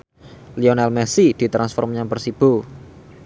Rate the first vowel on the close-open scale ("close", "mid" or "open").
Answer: close